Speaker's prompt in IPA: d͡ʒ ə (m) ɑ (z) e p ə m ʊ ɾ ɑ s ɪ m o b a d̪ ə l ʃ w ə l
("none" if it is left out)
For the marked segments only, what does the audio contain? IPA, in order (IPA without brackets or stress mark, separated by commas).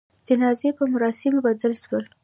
n, z